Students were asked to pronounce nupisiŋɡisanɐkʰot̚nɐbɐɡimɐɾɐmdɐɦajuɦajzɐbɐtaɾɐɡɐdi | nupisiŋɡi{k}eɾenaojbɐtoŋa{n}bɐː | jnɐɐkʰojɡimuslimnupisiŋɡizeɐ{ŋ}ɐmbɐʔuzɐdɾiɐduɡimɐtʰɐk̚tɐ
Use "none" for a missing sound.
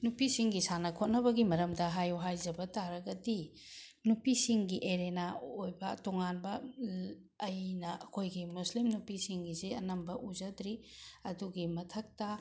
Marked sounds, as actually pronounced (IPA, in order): ʔ, n, n

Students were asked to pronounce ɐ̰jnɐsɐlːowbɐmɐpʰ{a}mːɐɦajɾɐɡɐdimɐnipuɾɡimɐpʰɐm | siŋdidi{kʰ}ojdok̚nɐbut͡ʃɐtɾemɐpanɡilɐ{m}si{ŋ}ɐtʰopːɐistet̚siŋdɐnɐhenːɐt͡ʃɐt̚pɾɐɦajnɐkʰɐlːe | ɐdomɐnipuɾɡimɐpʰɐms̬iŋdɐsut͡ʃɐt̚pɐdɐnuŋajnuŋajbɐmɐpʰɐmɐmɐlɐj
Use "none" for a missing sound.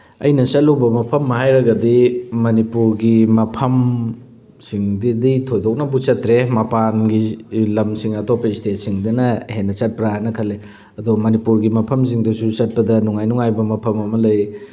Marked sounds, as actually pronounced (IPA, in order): ɐ, tʰ, m, ŋ

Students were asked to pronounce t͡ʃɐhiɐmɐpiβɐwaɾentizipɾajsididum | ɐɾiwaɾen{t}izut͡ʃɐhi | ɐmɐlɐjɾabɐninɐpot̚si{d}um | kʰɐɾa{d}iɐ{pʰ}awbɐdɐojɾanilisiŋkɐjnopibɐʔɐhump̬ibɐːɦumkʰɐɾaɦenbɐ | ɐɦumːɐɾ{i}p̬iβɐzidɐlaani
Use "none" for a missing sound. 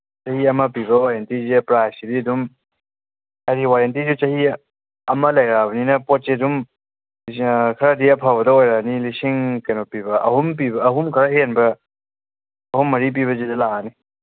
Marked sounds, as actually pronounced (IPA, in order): t, d, d, pʰ, i

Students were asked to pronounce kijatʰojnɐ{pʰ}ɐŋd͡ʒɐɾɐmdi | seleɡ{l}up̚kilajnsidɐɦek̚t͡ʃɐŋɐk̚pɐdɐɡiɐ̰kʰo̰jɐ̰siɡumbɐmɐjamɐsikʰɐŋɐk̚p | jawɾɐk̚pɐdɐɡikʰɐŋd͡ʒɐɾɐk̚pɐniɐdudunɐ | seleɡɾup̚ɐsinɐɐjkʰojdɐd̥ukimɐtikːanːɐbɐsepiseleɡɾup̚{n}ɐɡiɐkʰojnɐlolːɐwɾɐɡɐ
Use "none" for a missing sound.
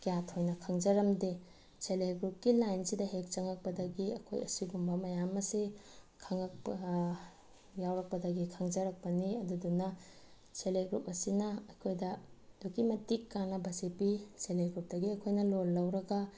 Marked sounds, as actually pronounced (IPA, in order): kʰ, ɾ, d

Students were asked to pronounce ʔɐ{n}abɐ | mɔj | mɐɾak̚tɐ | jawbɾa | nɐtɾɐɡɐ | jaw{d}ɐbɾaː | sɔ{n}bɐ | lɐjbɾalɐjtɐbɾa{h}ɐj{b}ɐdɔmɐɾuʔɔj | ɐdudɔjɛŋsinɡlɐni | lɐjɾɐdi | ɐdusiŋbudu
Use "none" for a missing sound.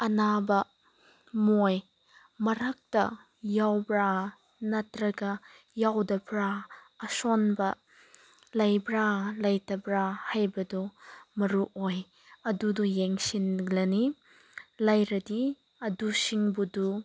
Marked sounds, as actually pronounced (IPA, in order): n, d, n, h, b

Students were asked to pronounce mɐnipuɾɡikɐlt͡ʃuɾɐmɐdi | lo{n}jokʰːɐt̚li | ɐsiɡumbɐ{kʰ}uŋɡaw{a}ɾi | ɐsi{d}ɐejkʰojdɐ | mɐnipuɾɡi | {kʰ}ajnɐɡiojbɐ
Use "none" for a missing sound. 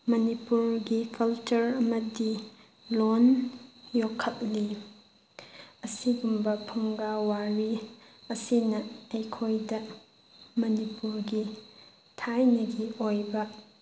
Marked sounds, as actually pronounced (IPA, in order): n, pʰ, a, n, tʰ

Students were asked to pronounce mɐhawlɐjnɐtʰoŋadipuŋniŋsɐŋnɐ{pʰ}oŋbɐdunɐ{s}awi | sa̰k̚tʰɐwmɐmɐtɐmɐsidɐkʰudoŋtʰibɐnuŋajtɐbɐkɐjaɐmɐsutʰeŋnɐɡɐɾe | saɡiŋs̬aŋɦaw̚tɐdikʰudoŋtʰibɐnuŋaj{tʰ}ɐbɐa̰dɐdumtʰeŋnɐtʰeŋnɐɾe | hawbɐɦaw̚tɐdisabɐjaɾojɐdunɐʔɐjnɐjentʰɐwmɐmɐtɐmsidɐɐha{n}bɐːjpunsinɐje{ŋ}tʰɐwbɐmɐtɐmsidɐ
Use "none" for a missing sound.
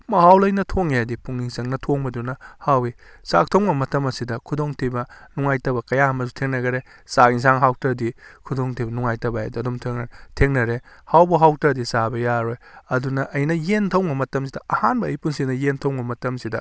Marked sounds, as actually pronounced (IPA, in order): tʰ, h, t, n, n

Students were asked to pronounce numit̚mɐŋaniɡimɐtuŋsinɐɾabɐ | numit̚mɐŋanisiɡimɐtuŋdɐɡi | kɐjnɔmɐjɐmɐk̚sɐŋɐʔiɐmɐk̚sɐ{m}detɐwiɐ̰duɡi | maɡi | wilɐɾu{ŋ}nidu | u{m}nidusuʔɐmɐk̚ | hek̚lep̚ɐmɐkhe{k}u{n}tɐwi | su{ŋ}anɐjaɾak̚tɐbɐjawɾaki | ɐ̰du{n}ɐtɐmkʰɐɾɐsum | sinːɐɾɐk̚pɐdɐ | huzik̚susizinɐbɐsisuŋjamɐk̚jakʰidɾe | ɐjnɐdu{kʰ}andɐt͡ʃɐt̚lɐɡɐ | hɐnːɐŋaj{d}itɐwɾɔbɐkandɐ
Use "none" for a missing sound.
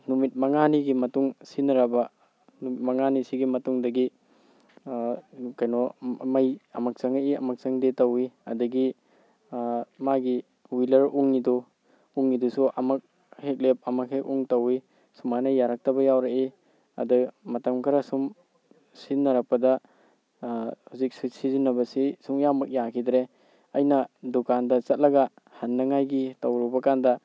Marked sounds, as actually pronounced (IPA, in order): ŋ, ŋ, ŋ, k, ŋ, m, m, k, ɡ

